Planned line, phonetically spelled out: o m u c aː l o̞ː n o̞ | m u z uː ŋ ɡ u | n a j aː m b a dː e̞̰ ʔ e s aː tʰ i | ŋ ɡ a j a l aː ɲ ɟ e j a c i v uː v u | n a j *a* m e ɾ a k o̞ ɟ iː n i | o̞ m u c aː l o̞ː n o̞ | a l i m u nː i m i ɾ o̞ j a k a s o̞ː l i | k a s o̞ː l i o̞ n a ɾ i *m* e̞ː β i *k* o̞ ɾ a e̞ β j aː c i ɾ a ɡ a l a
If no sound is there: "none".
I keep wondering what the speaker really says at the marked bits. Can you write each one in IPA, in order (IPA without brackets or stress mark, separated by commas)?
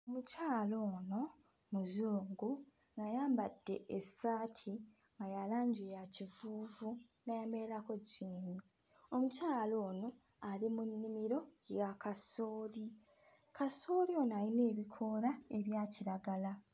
a, n, kʰ